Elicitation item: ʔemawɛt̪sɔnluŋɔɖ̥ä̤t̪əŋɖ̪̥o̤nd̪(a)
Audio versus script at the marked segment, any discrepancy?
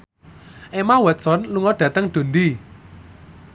yes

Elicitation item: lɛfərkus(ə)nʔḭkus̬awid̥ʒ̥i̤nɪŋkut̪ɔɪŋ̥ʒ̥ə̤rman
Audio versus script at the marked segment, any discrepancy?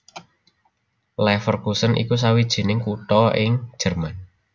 no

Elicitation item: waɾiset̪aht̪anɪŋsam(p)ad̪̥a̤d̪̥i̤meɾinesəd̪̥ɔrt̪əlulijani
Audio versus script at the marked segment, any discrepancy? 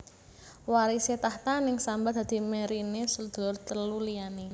yes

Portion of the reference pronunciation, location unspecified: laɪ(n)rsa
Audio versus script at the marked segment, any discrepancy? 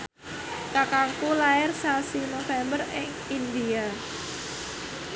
yes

